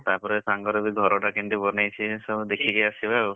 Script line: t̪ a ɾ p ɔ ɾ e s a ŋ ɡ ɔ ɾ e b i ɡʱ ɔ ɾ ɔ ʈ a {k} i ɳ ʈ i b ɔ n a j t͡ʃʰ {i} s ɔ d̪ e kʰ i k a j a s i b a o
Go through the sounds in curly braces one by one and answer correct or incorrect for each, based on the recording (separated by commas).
correct, correct